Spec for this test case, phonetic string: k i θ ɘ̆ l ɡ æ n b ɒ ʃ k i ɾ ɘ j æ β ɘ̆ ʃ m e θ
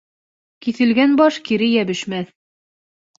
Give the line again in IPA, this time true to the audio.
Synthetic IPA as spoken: k i θ ɘ̆ l ɡ æ n b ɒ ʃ k i ɾ ɘ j æ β ɘ̆ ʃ m æ θ